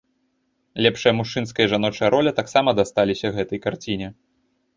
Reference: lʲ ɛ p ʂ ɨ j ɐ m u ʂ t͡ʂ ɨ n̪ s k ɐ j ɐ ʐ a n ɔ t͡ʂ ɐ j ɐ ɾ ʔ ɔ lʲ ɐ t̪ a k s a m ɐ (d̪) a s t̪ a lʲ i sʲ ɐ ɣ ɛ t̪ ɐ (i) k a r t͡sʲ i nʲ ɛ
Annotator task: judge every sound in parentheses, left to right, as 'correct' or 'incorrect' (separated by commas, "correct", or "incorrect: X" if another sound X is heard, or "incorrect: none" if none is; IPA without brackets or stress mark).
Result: correct, incorrect: j